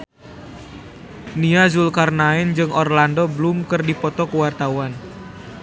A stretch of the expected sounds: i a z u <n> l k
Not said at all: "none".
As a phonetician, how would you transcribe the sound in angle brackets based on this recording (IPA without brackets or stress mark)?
none